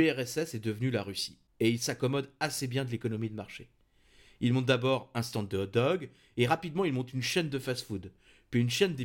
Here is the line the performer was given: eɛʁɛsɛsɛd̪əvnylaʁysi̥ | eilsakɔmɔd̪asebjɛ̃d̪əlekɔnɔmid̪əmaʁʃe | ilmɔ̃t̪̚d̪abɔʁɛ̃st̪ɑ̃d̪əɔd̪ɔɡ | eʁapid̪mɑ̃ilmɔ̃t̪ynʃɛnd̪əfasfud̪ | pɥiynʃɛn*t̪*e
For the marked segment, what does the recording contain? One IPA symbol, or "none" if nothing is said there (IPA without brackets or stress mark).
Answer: d̪